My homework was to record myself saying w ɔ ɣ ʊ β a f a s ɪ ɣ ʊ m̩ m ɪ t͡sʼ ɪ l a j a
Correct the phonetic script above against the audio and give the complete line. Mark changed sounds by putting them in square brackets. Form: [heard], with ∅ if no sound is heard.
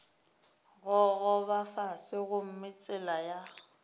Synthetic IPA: [ɣ] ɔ ɣ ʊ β a f a s ɪ ɣ ʊ m̩ m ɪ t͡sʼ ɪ l a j a